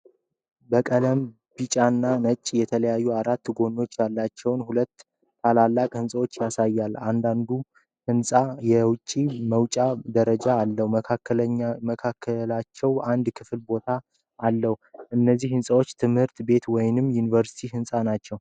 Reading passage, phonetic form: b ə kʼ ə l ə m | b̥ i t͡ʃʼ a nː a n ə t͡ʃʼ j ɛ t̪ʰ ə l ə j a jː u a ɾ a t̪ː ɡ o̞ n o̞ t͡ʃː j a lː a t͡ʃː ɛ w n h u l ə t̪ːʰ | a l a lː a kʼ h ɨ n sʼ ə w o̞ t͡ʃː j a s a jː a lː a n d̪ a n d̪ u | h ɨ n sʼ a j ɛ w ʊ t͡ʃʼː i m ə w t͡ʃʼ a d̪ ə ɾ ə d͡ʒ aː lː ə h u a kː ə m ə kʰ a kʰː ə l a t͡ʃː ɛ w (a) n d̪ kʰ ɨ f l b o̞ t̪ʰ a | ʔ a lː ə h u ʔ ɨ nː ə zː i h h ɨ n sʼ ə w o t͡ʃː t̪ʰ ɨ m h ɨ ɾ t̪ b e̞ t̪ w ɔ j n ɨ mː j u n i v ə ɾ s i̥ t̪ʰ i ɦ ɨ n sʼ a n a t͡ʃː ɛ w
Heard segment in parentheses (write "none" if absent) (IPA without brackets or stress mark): a